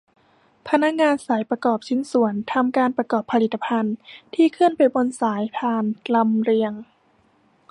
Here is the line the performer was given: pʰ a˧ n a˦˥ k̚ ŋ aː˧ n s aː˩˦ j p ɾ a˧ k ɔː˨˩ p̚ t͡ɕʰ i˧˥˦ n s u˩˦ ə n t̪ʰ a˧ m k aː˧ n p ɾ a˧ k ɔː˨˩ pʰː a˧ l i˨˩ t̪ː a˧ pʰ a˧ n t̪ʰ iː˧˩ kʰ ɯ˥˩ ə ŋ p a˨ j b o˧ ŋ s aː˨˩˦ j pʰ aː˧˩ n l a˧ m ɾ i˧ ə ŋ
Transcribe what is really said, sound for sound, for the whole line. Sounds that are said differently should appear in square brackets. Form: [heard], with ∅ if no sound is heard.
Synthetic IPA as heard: pʰ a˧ n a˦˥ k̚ ŋ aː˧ n s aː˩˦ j p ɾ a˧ k ɔː˨˩ p̚ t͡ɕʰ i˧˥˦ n s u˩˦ ə n t̪ʰ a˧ m k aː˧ n p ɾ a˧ k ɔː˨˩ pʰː a˧ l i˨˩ t̪ː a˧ pʰ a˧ n t̪ʰ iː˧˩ kʰ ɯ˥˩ ə [n] p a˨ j b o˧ [n] s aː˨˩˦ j pʰ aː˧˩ n l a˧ m ɾ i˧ ə ŋ